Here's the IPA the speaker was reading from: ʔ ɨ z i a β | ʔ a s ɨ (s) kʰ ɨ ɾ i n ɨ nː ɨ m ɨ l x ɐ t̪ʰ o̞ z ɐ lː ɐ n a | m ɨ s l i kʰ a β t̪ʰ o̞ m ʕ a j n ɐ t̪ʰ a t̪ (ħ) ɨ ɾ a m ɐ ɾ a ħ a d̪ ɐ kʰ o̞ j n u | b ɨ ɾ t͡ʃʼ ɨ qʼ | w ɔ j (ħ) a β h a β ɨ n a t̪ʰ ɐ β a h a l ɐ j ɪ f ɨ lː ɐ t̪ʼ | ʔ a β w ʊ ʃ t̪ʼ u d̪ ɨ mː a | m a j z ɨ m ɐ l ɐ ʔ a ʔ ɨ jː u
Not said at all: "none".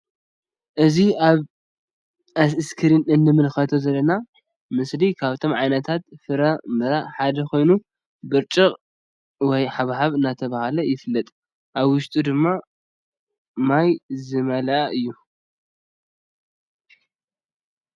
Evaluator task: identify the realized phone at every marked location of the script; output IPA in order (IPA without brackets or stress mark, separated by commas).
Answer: s, f, ħ